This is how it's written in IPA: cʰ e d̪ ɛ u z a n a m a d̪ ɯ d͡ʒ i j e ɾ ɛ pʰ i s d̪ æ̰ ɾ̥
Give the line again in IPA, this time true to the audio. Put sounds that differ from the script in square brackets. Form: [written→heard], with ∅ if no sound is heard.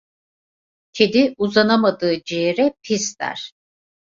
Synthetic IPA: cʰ e d̪ [ɛ→i] u z a n a m a d̪ [ɯ→ɯː] d͡ʒ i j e ɾ ɛ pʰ i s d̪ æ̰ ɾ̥